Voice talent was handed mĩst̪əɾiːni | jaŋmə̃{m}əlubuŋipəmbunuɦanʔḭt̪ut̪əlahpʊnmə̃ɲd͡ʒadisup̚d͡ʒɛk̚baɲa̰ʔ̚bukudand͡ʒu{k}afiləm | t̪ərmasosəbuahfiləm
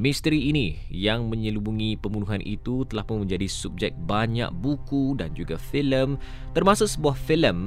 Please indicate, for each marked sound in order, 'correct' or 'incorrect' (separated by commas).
incorrect, incorrect